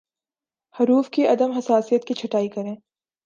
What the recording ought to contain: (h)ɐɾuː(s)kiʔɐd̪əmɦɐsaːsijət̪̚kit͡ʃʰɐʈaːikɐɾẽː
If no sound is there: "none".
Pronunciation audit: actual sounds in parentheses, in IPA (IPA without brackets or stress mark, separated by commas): h, f